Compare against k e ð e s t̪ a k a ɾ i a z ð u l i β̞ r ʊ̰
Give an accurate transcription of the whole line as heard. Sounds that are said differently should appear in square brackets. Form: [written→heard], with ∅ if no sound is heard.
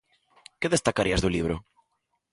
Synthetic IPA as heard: k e ð e s t̪ a k a ɾ i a z ð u l i β̞ [r→ɾ] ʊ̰